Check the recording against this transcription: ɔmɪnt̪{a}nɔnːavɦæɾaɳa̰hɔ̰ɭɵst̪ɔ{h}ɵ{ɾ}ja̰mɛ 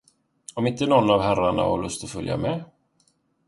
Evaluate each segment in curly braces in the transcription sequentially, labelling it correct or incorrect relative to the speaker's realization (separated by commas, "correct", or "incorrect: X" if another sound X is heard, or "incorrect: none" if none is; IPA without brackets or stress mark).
incorrect: ə, incorrect: f, incorrect: l